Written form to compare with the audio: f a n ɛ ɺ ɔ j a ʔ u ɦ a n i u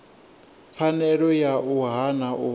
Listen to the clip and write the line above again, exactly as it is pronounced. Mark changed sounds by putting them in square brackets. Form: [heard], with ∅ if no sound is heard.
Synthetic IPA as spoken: f a n ɛ ɺ ɔ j a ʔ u ɦ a n [a] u